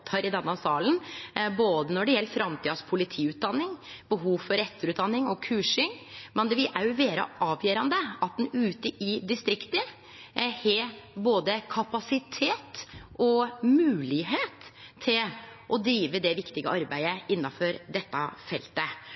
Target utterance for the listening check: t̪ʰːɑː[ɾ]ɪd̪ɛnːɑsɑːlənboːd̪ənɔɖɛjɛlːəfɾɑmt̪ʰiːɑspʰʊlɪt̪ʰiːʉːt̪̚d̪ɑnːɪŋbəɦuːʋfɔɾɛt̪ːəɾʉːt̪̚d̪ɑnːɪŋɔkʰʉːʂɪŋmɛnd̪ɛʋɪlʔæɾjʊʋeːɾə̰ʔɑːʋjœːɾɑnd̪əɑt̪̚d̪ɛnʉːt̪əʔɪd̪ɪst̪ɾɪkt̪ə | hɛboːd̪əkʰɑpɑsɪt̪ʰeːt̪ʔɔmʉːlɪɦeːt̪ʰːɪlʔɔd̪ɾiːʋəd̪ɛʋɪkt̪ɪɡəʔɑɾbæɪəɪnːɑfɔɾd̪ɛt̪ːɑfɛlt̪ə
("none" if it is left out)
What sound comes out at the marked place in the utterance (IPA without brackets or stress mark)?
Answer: ɾ